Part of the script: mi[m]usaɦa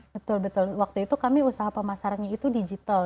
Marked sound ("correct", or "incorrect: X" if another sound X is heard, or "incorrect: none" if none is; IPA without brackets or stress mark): incorrect: none